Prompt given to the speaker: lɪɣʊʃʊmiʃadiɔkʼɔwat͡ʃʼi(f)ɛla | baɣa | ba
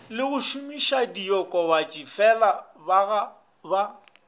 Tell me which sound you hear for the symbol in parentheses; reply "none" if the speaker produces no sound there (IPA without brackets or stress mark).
f